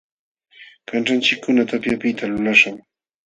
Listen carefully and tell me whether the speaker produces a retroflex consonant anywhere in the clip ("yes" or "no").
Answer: yes